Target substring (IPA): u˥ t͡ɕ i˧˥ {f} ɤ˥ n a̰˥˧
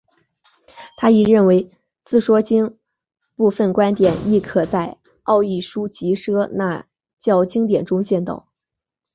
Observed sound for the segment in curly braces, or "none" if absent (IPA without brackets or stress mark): ʂ